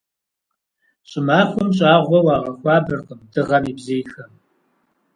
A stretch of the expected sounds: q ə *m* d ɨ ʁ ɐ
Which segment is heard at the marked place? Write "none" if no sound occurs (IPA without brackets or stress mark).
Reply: m